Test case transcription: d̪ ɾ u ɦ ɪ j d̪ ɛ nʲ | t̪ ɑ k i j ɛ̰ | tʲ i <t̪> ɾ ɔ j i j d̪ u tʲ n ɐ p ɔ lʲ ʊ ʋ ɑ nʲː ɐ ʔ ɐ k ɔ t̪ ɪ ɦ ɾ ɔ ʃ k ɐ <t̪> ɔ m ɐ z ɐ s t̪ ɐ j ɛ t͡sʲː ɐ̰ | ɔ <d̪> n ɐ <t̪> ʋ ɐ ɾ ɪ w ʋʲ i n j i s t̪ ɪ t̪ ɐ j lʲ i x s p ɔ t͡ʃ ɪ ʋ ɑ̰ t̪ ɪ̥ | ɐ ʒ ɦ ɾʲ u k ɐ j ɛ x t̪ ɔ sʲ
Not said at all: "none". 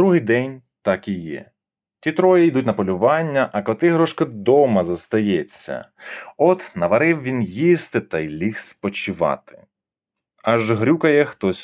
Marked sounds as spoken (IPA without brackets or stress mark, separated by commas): t̪, d̪, t̪, none